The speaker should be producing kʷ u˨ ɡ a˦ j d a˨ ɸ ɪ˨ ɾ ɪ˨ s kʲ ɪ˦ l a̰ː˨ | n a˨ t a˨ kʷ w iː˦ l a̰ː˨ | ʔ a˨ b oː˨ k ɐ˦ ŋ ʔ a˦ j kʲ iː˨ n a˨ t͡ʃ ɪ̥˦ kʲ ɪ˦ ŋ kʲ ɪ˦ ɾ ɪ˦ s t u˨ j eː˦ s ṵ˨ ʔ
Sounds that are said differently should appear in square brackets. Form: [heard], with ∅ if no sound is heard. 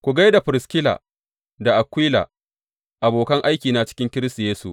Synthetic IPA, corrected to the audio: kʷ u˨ ɡ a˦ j d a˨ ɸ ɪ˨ ɾ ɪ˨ s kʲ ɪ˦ l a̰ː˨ | [d] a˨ [ʔ] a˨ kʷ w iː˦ l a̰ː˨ | ʔ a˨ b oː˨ k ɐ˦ ŋ ʔ a˦ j kʲ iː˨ n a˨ t͡ʃ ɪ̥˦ kʲ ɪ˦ ŋ kʲ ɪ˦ ɾ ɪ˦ s t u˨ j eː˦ s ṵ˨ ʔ